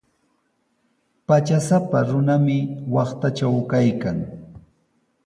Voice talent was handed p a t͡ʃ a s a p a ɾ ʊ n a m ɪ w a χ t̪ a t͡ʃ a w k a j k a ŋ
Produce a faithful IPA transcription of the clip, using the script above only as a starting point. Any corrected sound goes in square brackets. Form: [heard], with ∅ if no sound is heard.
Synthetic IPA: p a t͡ʃ a s a p a ɾ ʊ n a m ɪ w [ɑ] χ t̪ a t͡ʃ a w k a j k a ŋ